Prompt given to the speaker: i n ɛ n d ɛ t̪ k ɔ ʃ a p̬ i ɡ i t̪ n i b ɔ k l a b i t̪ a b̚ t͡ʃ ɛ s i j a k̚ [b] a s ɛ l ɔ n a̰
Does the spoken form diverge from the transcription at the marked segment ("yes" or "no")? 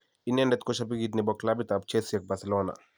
no